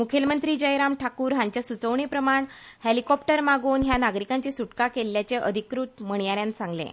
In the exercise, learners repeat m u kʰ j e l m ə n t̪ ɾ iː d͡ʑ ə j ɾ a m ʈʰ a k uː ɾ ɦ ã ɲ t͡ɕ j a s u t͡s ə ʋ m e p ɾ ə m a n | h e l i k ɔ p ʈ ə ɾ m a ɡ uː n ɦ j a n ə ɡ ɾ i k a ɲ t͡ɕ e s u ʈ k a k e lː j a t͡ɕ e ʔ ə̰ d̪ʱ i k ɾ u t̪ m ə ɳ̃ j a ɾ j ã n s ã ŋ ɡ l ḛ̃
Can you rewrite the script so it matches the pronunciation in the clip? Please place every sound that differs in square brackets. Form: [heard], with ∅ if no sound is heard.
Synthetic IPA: m u kʰ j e l m ə n t̪ ɾ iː d͡ʑ ə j ɾ a m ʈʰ a k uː ɾ ɦ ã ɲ t͡ɕ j a s u t͡s ə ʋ [ɳ] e p ɾ ə m a [ɳ] | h e l i k ɔ p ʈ ə ɾ m a ɡ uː n ɦ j a n [a] ɡ ɾ i k a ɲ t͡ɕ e s u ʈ k a k e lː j a t͡ɕ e ʔ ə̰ d̪ʱ i k ɾ u t̪ m ə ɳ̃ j a ɾ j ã n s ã ŋ ɡ l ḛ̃